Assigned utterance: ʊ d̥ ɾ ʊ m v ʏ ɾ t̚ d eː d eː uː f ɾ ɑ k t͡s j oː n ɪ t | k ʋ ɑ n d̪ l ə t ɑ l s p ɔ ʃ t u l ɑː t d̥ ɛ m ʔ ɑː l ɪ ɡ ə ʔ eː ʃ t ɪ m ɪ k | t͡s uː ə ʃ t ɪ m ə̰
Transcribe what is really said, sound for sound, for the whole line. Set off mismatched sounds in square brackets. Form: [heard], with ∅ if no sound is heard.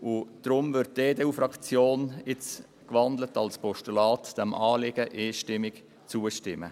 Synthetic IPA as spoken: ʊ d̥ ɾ ʊ m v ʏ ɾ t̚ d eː d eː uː f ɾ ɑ k t͡s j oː n ɪ [t͡s] | k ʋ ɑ n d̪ l ə t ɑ l s p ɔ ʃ t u l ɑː t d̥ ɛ m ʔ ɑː l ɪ ɡ ə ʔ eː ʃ t ɪ m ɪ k | t͡s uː ə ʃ t ɪ m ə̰